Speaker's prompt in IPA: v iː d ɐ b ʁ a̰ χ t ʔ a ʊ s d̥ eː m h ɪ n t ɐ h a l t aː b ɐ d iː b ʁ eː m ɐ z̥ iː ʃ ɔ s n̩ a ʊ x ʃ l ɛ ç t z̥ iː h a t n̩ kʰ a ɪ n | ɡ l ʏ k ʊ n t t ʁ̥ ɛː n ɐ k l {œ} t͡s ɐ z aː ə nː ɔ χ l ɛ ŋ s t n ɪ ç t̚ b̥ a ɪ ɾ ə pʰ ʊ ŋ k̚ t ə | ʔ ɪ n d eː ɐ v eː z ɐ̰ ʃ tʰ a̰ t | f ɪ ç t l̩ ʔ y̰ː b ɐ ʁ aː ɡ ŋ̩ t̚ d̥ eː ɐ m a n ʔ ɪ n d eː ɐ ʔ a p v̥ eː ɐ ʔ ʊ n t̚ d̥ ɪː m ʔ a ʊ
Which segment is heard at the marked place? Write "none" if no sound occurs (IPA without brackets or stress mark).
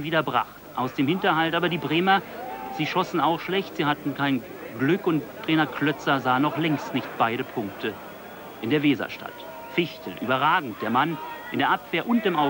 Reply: œ